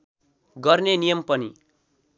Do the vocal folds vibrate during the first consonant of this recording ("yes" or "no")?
yes